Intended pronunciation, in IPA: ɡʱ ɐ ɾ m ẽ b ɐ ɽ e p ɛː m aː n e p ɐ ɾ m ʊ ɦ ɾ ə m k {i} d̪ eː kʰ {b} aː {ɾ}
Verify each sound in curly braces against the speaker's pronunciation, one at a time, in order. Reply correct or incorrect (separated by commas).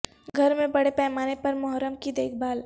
correct, correct, incorrect